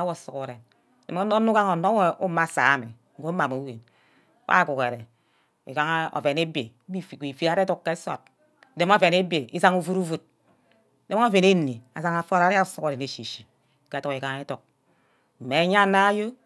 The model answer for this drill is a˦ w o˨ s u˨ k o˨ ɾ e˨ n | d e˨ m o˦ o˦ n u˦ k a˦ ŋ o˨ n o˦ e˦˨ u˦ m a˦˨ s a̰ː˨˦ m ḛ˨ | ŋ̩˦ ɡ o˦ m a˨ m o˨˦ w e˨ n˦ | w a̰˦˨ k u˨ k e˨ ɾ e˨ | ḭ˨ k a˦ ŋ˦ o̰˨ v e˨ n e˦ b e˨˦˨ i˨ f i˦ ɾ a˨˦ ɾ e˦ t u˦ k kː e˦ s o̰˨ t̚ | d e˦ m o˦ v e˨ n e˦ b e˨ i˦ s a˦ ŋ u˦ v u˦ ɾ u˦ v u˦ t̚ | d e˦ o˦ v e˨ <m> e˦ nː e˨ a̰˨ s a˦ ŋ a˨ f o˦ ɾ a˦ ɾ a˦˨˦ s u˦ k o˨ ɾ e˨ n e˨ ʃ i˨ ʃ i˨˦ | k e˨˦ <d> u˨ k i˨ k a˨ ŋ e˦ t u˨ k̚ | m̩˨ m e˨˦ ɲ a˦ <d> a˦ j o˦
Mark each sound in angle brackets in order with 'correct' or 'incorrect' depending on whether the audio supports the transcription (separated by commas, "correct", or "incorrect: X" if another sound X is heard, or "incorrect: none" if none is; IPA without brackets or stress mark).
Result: incorrect: n, incorrect: t, incorrect: n